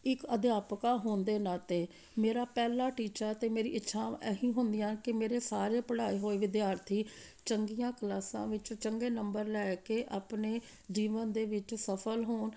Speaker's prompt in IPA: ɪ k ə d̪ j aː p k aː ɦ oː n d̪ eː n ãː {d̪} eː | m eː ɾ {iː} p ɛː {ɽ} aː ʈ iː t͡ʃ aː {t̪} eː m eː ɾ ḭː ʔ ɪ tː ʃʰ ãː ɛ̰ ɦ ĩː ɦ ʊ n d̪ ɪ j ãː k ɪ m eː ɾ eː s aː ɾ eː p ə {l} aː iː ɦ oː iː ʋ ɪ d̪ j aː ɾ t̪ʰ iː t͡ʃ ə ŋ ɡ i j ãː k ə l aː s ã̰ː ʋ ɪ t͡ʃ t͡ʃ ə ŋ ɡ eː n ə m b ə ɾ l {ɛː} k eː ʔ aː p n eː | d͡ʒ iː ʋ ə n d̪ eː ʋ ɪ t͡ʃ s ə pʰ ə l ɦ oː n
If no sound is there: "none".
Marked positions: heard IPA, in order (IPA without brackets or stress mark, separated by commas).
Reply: t̪, aː, l, t̪, ɽ, ɛː